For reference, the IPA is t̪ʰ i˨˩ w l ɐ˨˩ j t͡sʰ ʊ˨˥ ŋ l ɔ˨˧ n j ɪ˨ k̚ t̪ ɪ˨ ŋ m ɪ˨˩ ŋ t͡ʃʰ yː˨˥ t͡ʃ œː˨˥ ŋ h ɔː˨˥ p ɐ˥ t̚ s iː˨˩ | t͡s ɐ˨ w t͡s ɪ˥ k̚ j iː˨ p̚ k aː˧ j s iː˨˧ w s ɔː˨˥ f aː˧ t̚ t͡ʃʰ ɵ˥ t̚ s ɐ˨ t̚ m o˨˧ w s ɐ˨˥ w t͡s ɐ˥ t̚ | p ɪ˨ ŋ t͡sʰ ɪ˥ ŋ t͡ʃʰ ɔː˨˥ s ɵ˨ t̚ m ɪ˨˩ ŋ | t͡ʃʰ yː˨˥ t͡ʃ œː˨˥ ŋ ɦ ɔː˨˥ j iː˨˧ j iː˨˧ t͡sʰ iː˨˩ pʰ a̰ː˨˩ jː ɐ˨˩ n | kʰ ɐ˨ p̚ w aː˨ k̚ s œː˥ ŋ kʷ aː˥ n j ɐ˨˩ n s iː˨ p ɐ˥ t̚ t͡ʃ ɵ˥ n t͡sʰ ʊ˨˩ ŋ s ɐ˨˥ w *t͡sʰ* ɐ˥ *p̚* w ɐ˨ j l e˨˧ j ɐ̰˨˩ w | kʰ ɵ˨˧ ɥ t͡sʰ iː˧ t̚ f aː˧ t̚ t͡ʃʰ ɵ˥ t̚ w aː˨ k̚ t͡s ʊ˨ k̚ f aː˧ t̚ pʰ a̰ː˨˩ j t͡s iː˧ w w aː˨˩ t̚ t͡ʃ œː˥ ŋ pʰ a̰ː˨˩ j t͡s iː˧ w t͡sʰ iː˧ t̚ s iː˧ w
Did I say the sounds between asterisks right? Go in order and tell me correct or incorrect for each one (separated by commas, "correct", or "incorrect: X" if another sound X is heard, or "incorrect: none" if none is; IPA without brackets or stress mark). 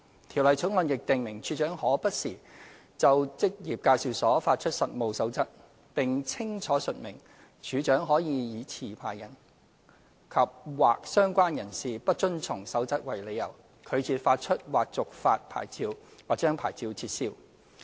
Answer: incorrect: t͡s, incorrect: t̚